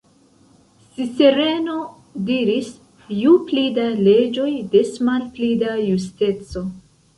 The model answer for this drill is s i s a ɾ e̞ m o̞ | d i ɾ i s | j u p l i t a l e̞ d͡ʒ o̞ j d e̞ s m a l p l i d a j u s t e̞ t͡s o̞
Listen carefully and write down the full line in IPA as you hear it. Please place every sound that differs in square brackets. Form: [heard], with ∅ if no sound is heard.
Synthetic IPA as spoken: s i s [e] ɾ e̞ [n] o̞ | d i ɾ i s | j u p l i [d] a l e̞ d͡ʒ o̞ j d e̞ s m a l p l i d a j u s t e̞ t͡s o̞